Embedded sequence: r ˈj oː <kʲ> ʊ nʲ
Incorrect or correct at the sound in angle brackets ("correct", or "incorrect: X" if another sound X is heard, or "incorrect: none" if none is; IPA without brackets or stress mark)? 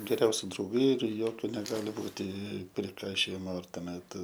correct